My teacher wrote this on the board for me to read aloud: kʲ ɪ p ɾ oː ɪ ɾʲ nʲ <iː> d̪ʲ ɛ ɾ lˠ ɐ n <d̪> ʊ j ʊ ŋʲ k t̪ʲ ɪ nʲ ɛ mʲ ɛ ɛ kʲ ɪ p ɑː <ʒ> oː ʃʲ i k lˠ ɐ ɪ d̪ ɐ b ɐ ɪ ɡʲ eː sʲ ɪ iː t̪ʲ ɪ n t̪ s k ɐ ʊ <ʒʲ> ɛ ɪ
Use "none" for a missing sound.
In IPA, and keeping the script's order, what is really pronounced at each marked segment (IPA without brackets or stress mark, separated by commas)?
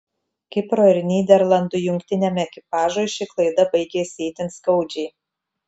iː, d̪, ʒ, d͡ʒʲ